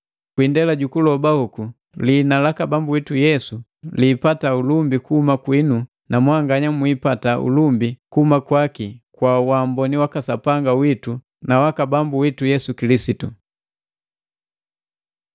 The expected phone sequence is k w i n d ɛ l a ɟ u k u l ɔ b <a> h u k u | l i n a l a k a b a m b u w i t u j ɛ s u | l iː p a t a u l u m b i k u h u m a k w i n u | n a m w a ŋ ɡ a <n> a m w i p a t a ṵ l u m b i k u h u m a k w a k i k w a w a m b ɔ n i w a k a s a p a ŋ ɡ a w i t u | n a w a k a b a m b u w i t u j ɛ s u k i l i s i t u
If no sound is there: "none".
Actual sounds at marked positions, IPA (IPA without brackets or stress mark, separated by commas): a, ɲ